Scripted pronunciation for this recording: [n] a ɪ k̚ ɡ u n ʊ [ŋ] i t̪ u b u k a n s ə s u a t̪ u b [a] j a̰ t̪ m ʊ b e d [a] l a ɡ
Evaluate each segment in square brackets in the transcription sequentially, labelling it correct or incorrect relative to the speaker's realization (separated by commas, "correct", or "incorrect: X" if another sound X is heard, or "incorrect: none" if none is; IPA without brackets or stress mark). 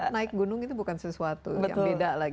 correct, correct, incorrect: ə, correct